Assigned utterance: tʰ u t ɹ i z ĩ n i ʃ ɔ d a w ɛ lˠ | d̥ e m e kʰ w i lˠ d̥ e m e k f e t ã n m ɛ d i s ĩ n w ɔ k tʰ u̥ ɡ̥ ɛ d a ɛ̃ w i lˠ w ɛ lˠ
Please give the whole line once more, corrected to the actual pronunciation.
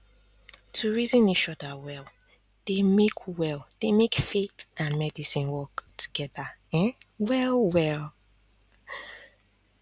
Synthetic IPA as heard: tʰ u ɹ i z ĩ n i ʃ ɔ d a w ɛ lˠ | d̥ e m e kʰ w ɛ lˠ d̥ e m e k f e t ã n m ɛ d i s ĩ n w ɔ k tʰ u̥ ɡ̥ ɛ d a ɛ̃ w ɛ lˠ w ɛ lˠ

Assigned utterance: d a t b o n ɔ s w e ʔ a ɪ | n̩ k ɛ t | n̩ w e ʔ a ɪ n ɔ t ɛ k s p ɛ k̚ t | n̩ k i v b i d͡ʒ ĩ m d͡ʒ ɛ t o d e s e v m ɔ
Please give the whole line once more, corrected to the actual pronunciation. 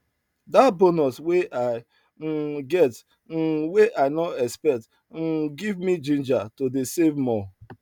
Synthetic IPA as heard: d a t b o n ɔ s w e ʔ a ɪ | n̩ ɡ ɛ t | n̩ w e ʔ a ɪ n ɔ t ɛ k s p ɛ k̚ t | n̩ ɡ i v m i d͡ʒ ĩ n d͡ʒ a t o d e s e v m ɔ

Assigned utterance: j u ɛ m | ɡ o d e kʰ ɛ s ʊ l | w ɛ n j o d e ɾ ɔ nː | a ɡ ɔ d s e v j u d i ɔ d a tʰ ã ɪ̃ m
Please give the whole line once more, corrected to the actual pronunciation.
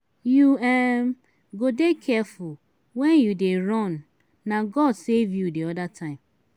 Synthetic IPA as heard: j u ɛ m | ɡ o d e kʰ ɛ f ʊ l | w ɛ n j u d e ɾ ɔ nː | a ɡ ɔ d s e v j u d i ɔ d a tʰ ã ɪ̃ m

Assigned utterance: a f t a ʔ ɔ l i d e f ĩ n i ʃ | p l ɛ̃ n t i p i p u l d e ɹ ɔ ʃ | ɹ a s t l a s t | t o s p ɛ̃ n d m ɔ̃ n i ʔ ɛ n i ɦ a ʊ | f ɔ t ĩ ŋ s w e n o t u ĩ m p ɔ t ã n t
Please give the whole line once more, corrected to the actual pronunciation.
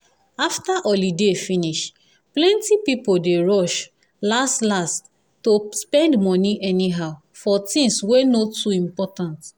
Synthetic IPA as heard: a f t a ʔ ɔ l i d e f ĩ n i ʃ | p l ɛ̃ n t i p i p o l d e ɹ ɔ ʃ | l a s t l a s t | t o s p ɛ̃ n d m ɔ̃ n i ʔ ɛ n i ɦ a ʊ | f ɔ t ĩ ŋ s w e n o t u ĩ m p ɔ t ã n t

